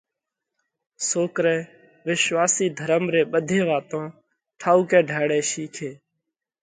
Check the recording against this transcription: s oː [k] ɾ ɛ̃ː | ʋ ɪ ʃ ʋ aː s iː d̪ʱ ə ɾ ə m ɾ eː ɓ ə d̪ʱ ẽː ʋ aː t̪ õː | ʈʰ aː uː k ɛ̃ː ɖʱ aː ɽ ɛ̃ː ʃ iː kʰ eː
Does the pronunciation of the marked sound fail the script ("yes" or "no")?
no